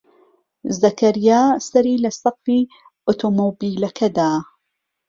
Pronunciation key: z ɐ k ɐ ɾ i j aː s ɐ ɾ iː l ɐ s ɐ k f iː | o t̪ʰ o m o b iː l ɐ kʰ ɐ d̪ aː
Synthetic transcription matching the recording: z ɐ k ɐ ɾ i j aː s ɐ ɾ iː l ɐ s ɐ q f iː | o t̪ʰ o m o b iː l ɐ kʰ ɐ d̪ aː